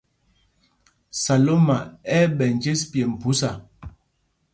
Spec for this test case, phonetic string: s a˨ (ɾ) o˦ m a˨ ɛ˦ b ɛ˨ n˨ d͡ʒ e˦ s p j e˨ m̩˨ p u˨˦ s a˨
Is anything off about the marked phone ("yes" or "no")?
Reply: yes